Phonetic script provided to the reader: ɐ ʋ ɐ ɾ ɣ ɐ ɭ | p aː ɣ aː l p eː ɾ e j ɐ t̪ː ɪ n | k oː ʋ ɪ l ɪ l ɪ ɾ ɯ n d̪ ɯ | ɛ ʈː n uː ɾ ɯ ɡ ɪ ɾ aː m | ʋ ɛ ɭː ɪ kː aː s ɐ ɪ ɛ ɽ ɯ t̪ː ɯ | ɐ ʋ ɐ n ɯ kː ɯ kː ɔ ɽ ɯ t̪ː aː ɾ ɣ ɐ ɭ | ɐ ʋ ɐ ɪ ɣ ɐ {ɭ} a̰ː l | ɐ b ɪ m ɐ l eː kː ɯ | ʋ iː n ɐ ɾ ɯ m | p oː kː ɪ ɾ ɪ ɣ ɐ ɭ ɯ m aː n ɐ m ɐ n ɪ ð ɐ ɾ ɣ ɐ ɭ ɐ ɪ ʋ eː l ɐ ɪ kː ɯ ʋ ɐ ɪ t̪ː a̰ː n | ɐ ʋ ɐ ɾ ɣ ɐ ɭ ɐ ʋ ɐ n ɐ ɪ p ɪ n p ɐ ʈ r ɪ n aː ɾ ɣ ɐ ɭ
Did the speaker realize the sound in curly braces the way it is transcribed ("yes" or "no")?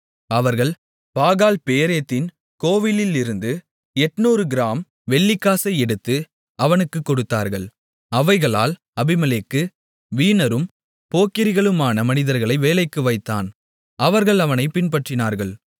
yes